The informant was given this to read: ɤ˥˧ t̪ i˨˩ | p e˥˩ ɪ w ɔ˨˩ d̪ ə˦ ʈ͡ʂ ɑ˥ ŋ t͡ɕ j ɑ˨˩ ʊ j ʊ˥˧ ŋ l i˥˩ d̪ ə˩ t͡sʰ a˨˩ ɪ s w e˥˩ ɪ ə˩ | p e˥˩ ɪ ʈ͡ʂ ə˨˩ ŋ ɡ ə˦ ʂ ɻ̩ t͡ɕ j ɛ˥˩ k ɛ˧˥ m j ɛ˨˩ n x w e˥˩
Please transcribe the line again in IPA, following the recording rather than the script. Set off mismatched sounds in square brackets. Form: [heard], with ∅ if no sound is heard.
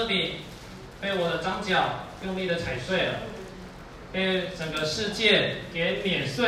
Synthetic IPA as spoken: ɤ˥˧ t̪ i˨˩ | p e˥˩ ɪ w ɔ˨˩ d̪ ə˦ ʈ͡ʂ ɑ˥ ŋ t͡ɕ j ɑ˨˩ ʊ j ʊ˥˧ ŋ l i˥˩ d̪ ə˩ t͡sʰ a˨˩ ɪ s w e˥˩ ɪ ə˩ | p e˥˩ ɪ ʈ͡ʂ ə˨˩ ŋ ɡ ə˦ ʂ ɻ̩ t͡ɕ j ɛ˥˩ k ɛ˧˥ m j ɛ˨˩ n [s] w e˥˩